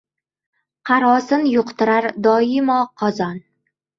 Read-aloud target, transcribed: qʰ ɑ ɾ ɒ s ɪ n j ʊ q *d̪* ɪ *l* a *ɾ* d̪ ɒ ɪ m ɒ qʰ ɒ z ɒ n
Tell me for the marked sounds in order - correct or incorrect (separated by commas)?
incorrect, incorrect, correct